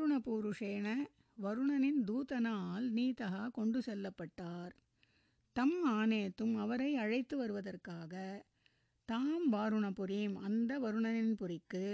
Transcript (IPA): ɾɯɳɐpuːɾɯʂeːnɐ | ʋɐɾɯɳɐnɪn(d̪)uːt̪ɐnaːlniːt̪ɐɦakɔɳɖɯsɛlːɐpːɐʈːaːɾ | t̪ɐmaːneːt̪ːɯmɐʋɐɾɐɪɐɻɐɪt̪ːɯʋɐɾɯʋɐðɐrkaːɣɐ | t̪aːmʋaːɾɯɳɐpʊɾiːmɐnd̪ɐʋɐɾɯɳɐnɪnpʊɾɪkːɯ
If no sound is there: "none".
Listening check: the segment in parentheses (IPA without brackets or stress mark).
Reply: d̪